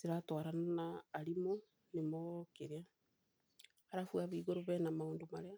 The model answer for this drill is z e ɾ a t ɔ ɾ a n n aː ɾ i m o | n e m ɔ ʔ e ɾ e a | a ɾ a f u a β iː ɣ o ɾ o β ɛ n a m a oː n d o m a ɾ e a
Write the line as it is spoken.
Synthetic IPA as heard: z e ɾ a t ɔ ɾ a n n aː ɾ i m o | n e m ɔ k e ɾ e a | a ɾ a f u a β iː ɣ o ɾ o β ɛ n a m a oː n d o m a ɾ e a